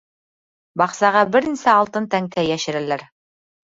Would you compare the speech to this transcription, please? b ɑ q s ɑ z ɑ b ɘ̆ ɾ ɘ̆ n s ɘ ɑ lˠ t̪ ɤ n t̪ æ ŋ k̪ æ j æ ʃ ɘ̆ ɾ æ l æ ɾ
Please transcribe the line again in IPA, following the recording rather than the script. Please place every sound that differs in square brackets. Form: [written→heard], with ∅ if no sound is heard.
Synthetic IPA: b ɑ q s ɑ [z→ʁ] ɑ b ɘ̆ ɾ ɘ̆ n s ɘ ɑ lˠ t̪ ɤ n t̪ æ ŋ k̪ æ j æ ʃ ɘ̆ ɾ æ l æ ɾ